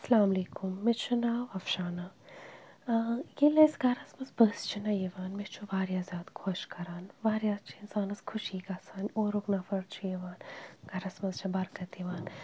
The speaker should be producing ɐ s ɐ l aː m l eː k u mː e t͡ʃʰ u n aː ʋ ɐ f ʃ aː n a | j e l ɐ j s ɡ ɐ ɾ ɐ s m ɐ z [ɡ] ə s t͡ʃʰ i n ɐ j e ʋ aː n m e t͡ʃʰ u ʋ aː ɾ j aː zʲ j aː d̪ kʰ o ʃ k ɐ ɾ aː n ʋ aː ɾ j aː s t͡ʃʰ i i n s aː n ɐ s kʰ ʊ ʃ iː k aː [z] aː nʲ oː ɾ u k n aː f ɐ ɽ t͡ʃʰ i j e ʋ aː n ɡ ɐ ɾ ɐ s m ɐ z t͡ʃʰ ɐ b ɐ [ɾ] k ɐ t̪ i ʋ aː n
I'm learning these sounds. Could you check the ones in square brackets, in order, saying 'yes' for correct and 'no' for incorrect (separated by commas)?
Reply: no, no, yes